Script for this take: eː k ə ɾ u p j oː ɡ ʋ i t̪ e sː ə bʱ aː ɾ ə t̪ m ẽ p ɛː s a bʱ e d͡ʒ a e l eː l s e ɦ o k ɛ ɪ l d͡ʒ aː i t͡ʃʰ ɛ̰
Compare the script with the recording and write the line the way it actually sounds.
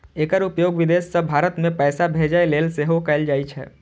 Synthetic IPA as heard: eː k ə ɾ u p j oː ɡ ʋ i d̪ e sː ə bʱ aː ɾ ə t̪ m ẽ p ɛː s a bʱ e d͡ʒ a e l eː l s e ɦ o k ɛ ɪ l d͡ʒ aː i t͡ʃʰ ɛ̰